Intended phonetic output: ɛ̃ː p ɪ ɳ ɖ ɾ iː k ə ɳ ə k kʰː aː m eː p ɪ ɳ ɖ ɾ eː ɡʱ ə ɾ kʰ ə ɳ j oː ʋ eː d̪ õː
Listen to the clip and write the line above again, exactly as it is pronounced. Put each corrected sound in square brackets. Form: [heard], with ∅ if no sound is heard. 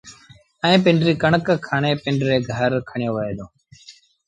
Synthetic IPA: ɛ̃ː p ɪ ɳ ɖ ɾ iː k ə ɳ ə k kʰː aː [ɳ] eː p ɪ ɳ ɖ ɾ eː ɡʱ ə ɾ kʰ ə ɳ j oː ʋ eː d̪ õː